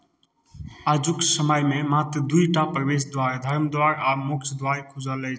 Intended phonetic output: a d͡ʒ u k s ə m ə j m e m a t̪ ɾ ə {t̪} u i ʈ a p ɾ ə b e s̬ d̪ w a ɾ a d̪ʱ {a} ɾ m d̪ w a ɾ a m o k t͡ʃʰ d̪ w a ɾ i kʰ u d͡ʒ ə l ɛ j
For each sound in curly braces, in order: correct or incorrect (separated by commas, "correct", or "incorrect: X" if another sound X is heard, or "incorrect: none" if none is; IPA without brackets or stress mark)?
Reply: incorrect: d̪, incorrect: ə